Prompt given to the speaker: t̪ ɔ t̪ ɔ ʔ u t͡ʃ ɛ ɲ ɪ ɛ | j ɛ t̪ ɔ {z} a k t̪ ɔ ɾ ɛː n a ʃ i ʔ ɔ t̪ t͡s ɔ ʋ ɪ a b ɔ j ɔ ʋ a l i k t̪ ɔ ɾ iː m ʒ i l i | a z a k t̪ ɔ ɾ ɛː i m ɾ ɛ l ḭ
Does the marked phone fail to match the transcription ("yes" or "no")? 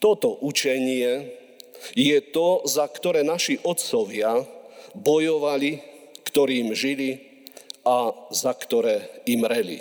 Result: no